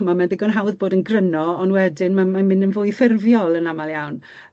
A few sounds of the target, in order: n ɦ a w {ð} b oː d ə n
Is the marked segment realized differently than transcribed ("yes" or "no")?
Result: no